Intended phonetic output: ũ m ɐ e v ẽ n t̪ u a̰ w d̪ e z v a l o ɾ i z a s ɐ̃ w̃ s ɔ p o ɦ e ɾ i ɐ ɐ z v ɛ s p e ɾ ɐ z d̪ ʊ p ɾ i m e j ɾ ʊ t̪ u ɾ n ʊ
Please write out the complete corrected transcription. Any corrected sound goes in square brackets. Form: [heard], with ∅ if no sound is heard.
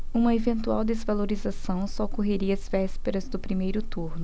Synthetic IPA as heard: ũ m ɐ e v ẽ n t̪ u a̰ w d̪ e z v a l o ɾ i z a s ɐ̃ w̃ s ɔ [k] o ɦ e ɾ i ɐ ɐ z v ɛ s p e ɾ ɐ z d̪ ʊ p ɾ i m e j ɾ ʊ t̪ u ɾ n ʊ